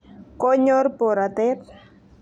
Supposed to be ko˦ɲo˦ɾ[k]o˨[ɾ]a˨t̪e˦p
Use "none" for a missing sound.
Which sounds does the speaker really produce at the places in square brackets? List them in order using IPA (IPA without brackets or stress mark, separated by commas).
p, ɾ